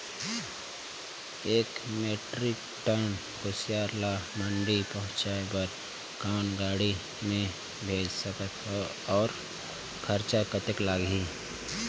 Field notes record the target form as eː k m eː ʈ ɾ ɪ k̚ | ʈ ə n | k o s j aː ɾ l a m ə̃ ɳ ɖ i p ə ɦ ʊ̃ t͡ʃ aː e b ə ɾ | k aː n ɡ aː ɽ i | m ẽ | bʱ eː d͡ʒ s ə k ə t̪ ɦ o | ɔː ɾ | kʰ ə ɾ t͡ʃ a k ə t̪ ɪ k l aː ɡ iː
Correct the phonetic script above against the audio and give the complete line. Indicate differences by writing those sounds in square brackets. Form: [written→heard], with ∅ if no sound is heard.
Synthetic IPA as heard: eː k m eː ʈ ɾ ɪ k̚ | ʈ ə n | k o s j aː ɾ l a m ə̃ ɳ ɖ i p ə ɦ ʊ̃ t͡ʃ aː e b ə ɾ | k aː n ɡ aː ɽ i | m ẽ | bʱ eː d͡ʒ s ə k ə t̪ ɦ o | ɔː ɾ | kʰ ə ɾ t͡ʃ a k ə t̪ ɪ k l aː ɡ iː